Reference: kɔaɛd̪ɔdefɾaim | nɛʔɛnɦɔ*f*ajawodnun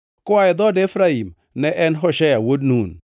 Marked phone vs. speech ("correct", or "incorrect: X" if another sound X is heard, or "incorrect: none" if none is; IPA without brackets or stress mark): incorrect: ʃ